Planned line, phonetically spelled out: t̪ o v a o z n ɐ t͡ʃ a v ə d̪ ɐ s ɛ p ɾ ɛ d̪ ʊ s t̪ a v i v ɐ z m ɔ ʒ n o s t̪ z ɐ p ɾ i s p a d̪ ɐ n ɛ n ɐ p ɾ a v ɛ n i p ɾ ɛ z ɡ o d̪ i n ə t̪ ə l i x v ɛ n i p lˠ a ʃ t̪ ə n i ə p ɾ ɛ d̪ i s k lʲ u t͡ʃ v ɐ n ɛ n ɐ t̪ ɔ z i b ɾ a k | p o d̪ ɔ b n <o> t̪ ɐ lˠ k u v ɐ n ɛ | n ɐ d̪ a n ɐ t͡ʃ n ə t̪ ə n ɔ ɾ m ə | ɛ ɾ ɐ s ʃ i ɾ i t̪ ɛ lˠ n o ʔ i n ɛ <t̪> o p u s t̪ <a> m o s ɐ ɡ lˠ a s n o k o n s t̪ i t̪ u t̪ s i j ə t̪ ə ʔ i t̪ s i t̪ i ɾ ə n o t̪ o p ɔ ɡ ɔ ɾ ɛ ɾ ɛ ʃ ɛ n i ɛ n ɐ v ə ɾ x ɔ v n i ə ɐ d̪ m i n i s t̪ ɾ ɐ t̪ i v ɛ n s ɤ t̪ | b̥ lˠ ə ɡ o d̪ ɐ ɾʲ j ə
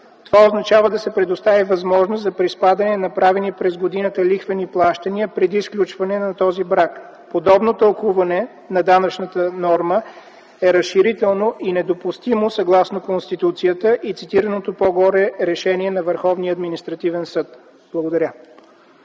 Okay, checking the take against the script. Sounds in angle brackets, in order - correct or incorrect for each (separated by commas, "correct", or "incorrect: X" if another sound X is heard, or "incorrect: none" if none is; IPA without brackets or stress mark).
correct, incorrect: d̪, incorrect: i